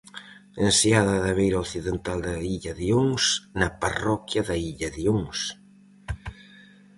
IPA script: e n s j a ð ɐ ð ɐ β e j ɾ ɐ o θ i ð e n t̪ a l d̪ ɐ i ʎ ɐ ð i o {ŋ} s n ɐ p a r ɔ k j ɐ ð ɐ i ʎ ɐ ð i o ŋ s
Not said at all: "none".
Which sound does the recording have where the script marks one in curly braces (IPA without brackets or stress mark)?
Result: ŋ